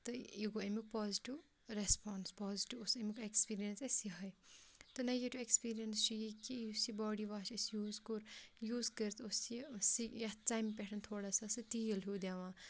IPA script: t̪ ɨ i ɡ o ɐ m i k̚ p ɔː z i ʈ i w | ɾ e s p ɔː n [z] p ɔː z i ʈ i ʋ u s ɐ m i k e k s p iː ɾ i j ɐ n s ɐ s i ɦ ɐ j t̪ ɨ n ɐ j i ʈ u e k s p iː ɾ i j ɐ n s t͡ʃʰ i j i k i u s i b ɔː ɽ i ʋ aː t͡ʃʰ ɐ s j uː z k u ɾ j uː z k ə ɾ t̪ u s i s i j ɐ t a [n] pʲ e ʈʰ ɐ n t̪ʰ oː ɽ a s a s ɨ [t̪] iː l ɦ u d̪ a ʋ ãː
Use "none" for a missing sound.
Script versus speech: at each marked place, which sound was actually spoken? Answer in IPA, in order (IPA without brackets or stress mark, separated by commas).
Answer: s, m, t̪